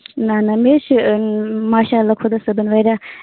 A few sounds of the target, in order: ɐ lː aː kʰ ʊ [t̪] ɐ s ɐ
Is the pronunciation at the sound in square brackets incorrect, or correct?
incorrect